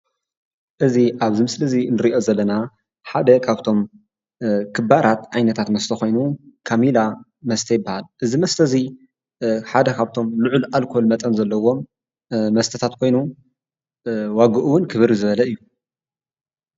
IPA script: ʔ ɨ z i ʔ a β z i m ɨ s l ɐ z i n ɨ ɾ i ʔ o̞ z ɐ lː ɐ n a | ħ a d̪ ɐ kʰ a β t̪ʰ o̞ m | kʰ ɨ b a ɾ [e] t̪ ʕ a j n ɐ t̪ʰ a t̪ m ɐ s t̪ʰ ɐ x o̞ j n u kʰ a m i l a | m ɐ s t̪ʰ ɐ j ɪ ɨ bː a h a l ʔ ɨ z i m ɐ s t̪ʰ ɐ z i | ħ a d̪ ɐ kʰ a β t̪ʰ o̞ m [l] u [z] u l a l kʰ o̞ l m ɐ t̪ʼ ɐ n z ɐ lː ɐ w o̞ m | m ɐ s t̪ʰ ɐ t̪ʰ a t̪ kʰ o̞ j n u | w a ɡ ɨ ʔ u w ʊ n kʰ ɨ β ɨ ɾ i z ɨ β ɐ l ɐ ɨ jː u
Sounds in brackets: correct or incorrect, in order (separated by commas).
incorrect, correct, incorrect